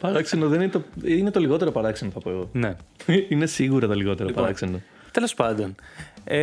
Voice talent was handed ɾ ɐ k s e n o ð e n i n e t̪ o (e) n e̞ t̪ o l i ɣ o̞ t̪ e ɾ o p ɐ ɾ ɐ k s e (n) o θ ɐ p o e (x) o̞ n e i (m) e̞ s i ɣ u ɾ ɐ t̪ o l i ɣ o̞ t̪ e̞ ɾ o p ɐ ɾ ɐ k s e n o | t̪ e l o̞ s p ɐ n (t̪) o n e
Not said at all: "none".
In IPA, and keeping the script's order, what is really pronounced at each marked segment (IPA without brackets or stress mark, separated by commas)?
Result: i, n, ɣ, n, d̪